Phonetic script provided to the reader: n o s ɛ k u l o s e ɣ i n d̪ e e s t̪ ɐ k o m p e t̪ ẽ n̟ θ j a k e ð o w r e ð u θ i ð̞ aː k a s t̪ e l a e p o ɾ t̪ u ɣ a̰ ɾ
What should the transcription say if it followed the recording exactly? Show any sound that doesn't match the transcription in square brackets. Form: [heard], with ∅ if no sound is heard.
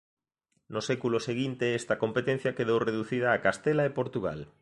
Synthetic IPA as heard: n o s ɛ k u l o s e ɣ i n [t̪] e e s t̪ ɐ k o m p e t̪ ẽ n̟ θ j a k e ð o w r e ð u θ i ð̞ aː k a s t̪ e l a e p o ɾ t̪ u ɣ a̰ [l]